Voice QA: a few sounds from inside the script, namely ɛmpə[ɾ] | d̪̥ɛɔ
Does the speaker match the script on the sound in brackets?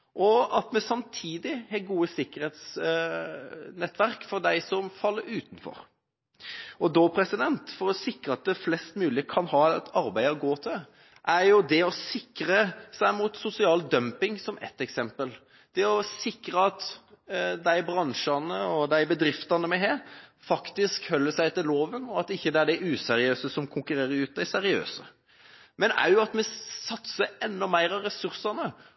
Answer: no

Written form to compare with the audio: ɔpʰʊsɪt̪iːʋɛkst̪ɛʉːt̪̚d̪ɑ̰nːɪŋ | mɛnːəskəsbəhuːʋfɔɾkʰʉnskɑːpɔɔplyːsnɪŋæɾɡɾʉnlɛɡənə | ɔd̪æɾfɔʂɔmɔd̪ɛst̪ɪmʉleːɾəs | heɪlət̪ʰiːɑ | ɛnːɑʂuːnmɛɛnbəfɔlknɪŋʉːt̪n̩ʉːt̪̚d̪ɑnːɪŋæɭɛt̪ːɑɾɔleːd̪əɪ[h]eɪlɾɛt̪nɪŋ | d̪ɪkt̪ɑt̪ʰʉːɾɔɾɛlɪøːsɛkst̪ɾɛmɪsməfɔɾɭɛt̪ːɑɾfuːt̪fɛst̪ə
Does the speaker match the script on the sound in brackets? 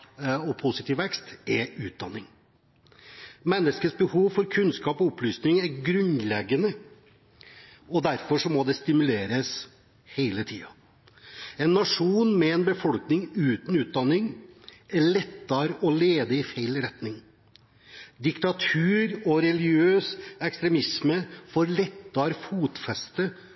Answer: no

